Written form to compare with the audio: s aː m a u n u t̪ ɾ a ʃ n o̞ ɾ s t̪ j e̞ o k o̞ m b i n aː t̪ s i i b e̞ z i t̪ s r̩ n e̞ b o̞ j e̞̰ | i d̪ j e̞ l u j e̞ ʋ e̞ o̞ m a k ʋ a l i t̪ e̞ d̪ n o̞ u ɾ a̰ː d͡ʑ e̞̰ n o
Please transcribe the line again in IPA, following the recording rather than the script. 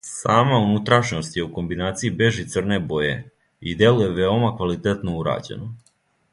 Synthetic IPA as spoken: s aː m a u n u t̪ ɾ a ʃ n o̞ s t̪ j e̞ u k o̞ m b i n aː t̪ s i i b e̞ ʒ i t̪ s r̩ n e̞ b o̞ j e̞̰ | i d̪ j e̞ l u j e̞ ʋ e̞ o̞ m a k ʋ a l i t̪ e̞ t̪ n o̞ u ɾ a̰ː d͡ʑ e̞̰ n o

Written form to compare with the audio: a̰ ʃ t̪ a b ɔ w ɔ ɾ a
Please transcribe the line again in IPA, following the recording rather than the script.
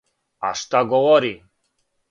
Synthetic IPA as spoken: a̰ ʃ t̪ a ɡ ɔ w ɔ ɾ i

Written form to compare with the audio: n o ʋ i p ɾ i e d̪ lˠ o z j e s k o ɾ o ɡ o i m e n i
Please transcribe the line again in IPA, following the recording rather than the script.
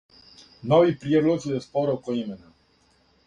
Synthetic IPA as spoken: n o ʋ i p ɾ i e d̪ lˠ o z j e s p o ɾ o k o i m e n a

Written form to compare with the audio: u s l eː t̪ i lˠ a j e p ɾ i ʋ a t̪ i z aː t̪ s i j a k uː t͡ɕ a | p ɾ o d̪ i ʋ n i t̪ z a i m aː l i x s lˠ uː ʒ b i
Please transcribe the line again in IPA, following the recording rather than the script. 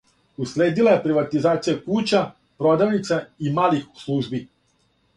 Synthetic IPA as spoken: u s l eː d̪ i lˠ a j e p ɾ i ʋ a t̪ i z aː t̪ s i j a k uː t͡ɕ a | p ɾ o d̪ a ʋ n i t̪ s a i m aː l i x s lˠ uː ʒ b i

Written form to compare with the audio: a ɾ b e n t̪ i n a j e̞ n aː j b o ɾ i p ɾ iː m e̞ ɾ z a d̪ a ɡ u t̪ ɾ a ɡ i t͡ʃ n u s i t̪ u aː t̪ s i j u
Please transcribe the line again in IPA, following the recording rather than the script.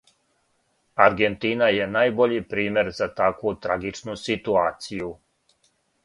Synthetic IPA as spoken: a ɾ ɡ e n t̪ i n a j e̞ n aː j b o ʎ i p ɾ iː m e̞ ɾ z a t̪ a k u t̪ ɾ a ɡ i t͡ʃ n u s i t̪ u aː t̪ s i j u

